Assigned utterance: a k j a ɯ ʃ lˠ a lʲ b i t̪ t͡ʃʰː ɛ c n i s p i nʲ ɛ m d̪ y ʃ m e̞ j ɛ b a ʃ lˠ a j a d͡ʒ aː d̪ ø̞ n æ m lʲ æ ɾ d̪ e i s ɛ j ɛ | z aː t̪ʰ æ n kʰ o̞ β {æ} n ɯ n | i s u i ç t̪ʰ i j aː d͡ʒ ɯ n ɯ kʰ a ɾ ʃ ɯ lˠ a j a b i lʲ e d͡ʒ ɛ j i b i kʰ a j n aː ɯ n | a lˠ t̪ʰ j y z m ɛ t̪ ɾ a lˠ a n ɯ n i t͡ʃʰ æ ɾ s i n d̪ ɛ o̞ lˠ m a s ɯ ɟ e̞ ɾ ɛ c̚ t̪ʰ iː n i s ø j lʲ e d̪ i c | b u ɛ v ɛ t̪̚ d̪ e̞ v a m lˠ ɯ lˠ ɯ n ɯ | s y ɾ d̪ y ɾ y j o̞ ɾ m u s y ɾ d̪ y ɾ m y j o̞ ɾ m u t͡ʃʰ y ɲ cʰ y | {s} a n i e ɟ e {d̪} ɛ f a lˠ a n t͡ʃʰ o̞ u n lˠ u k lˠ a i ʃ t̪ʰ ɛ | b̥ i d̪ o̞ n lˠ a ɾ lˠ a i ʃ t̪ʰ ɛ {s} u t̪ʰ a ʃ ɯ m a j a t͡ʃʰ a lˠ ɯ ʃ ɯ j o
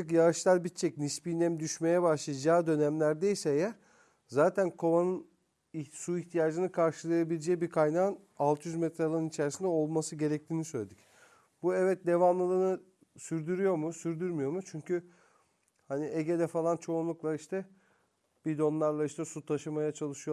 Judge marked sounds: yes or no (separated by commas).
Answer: no, no, yes, yes